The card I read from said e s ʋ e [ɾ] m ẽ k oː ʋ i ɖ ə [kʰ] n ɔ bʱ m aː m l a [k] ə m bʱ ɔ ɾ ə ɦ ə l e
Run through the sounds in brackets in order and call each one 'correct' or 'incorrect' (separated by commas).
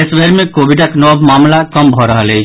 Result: correct, incorrect, correct